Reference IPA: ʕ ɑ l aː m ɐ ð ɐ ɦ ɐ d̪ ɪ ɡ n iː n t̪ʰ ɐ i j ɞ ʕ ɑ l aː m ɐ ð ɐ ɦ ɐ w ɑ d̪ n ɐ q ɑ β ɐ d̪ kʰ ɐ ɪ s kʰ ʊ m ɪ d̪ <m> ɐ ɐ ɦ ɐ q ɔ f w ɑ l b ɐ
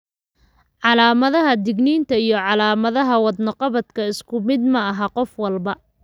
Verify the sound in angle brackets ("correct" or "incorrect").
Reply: correct